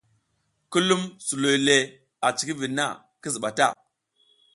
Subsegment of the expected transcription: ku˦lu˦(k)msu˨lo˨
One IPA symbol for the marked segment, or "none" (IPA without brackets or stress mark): none